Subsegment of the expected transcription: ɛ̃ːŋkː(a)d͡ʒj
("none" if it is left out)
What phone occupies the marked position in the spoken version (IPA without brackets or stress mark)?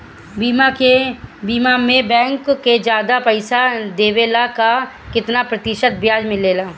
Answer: e